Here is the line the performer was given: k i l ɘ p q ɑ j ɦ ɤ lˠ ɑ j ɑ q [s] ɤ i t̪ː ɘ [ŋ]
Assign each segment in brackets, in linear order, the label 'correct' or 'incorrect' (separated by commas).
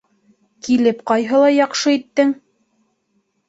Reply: incorrect, correct